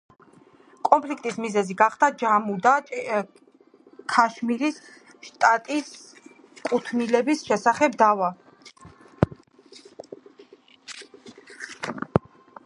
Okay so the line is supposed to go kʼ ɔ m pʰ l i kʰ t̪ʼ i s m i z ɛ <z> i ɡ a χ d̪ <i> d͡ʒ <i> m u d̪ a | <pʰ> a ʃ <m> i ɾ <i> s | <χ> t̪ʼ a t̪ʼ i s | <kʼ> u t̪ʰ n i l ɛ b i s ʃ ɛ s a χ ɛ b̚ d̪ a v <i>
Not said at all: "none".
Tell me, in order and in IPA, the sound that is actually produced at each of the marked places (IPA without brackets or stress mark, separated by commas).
z, a, a, kʰ, m, i, ʃ, kʼ, a